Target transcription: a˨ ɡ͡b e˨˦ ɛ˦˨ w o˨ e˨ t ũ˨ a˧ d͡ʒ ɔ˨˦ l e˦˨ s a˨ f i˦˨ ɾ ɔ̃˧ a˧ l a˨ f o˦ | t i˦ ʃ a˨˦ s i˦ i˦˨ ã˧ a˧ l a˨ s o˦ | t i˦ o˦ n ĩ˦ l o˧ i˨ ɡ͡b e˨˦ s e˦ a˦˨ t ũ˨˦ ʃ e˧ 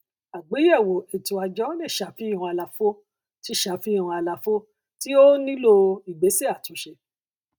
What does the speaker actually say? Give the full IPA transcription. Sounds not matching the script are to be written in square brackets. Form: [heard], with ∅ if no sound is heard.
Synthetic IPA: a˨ ɡ͡b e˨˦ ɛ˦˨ w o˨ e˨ t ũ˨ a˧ d͡ʒ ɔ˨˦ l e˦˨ [ʃ] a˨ f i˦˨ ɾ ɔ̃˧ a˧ l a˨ f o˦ | t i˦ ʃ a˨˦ [f] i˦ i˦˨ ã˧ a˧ l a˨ [f] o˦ | t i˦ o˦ n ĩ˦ l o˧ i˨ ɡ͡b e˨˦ s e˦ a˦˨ t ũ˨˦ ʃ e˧